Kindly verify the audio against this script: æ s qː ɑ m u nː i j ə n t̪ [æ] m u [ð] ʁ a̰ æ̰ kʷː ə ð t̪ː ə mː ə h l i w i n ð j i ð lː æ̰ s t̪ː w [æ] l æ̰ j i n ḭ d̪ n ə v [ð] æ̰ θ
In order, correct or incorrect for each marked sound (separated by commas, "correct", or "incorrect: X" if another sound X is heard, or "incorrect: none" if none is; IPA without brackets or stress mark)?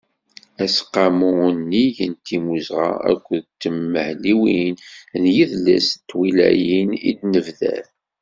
incorrect: i, incorrect: z, incorrect: i, correct